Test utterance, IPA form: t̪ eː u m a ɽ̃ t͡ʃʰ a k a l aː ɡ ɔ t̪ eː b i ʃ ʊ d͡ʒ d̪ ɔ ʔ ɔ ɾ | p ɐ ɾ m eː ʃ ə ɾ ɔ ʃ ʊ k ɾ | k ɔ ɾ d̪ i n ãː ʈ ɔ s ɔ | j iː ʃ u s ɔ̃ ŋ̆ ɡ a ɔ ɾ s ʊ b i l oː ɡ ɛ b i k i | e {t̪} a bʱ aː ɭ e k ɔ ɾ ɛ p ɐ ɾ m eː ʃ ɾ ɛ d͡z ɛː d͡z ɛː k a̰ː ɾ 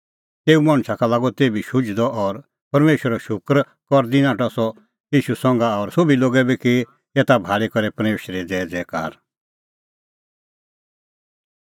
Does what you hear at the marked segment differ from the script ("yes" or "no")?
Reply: no